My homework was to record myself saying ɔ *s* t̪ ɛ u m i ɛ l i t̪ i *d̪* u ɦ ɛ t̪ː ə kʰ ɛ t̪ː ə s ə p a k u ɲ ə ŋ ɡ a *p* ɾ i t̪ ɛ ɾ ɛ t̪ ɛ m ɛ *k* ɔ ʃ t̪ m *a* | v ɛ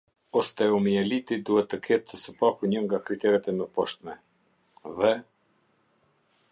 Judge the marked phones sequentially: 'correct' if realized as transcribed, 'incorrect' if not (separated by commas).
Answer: correct, correct, incorrect, incorrect, incorrect